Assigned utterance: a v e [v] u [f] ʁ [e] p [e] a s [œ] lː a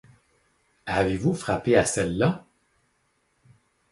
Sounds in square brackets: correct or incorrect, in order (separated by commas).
correct, correct, incorrect, correct, incorrect